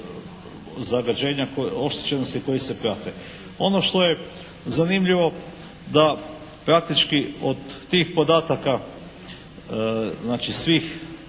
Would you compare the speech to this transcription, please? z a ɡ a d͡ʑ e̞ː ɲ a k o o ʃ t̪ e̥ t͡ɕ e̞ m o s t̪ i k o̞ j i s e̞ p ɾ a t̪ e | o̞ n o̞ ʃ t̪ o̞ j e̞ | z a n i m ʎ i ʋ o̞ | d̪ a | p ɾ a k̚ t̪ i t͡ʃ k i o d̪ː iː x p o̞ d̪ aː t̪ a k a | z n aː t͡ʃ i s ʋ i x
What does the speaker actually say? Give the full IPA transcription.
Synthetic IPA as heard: z a ɡ a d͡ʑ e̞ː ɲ a k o o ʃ t̪ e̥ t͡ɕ e̞ n o s t̪ i k o̞ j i s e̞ p ɾ a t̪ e | o̞ n o̞ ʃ t̪ o̞ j e̞ | z a n i m ʎ i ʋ o̞ | d̪ a | p ɾ a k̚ t̪ i t͡ʃ k i o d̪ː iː x p o̞ d̪ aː t̪ a k a | z n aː t͡ʃ i s ʋ i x